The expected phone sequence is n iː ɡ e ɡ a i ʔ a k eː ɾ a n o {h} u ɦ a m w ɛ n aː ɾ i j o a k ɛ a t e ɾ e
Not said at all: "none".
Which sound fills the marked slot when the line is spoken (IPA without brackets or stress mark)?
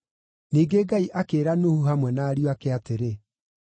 h